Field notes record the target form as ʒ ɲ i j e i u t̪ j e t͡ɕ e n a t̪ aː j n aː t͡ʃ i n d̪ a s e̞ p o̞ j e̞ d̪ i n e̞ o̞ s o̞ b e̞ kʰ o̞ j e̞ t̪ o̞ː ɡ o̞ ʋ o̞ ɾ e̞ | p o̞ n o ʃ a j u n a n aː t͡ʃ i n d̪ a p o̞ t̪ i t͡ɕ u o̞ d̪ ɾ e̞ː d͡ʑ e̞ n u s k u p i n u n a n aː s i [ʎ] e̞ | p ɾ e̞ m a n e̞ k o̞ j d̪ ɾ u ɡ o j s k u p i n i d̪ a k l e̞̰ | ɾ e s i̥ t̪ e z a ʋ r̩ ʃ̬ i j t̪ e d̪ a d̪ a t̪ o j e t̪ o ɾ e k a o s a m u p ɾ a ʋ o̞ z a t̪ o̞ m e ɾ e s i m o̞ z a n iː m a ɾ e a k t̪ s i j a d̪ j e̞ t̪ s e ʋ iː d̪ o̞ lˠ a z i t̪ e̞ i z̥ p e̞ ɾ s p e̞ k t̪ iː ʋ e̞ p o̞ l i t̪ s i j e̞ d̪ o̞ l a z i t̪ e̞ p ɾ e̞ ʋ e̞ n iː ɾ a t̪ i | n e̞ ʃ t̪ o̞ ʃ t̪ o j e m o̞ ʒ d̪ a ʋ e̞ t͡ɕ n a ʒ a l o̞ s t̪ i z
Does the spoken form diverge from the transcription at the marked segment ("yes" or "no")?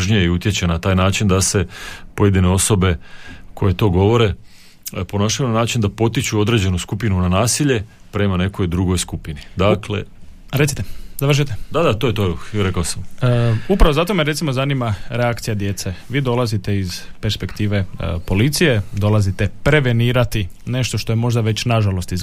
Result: no